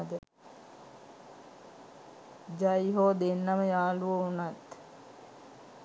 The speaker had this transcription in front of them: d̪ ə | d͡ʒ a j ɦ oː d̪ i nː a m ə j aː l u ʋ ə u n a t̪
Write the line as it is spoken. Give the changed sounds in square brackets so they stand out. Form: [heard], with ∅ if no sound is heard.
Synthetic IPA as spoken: d̪ ə | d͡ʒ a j ɦ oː d̪ [e] nː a m ə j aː l u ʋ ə u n a t̪

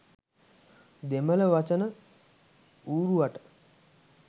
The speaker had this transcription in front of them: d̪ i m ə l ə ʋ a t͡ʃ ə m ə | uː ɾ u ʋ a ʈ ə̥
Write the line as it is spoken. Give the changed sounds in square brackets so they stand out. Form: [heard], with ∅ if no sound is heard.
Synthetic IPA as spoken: d̪ [e] m ə l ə ʋ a t͡ʃ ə [n] ə | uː ɾ u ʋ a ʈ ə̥

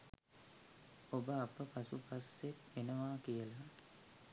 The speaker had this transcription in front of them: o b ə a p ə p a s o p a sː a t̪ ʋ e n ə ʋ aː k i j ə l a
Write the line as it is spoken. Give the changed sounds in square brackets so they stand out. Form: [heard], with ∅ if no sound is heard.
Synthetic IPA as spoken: o b ə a p ə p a s [u] p a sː [e] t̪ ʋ e n ə ʋ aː k i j ə l a

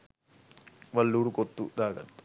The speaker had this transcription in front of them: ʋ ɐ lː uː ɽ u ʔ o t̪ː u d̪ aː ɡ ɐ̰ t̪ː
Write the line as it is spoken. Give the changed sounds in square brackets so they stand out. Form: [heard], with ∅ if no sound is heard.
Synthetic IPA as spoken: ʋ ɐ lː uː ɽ u [k] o t̪ː u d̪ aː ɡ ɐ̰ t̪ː

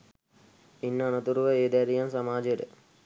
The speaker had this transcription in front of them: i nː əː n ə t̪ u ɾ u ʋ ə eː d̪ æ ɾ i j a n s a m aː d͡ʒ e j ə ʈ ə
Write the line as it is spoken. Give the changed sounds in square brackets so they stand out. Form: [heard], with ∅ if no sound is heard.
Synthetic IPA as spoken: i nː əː n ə t̪ u ɾ u ʋ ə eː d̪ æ ɾ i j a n s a m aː d͡ʒ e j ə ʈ ə

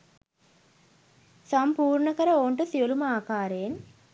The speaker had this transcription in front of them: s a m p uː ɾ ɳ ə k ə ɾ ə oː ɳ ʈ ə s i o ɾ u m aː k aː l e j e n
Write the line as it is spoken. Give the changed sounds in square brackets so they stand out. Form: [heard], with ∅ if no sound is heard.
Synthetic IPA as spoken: s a m p uː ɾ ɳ ə k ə ɾ ə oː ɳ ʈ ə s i o [l] u m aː k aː [ɾ] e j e n

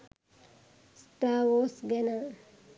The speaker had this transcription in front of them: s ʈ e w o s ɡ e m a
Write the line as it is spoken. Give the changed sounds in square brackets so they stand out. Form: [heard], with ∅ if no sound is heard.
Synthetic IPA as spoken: s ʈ [a] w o s ɡ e [n] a

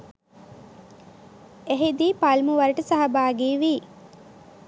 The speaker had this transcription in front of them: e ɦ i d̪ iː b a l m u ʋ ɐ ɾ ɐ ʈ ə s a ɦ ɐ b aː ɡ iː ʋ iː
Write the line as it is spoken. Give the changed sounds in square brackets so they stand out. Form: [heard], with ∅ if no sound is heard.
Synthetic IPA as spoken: e ɦ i d̪ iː [p] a l m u ʋ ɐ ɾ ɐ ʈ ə s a ɦ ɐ b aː ɡ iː ʋ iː

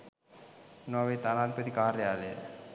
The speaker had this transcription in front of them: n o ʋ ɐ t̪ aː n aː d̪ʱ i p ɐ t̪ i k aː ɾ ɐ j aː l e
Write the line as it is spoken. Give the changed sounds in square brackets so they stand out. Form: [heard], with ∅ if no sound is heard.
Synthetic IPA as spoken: n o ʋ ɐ t̪ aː n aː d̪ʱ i p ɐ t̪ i k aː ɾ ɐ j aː l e

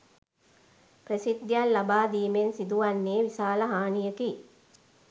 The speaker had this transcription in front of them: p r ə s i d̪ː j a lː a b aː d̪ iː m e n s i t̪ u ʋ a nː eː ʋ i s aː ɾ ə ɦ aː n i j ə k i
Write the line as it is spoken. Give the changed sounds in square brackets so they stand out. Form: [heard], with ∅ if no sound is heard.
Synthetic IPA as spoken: p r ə s i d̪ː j a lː a b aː d̪ iː m e n s i [d̪] u ʋ a nː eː ʋ i s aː [l] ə ɦ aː n i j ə k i

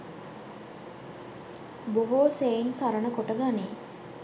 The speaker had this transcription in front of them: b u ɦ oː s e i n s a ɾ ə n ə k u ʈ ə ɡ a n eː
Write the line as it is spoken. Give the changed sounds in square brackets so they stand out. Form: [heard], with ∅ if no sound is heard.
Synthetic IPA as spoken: b [o] ɦ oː s e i n s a ɾ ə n ə k [o] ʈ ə ɡ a n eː

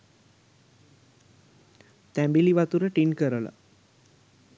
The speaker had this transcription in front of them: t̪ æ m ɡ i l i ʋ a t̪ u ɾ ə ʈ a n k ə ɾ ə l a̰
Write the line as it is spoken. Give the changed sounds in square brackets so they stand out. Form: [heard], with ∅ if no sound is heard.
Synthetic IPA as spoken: t̪ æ m [b] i l i ʋ a t̪ u ɾ ə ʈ [i] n k ə ɾ ə l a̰

